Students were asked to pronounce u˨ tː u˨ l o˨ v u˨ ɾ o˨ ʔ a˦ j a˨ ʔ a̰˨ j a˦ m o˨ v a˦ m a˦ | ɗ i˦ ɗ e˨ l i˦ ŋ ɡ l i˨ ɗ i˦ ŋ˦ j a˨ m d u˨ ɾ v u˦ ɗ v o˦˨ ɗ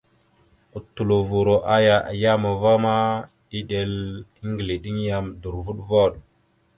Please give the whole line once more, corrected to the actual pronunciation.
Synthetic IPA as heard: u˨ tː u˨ l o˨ v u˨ ɾ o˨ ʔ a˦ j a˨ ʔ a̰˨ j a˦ m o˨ v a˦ m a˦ | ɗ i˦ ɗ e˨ l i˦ ŋ ɡ l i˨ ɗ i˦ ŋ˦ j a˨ m d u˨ ɾ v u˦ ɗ v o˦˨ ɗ